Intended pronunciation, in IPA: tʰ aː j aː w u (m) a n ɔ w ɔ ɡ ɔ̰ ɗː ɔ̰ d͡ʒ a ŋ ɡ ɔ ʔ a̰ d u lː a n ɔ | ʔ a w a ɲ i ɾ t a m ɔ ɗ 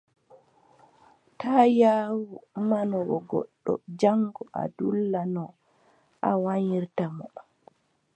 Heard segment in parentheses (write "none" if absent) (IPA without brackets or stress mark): m